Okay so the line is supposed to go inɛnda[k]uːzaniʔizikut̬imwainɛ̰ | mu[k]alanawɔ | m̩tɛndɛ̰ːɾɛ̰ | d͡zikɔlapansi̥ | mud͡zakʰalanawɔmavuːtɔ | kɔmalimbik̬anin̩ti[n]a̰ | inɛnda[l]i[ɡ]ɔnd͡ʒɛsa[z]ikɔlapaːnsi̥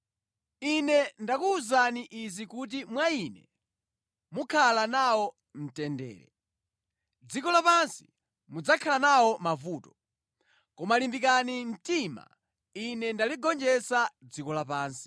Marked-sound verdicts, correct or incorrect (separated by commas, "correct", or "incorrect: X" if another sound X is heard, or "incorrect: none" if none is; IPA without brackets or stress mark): correct, incorrect: kʰ, incorrect: m, correct, correct, incorrect: d͡z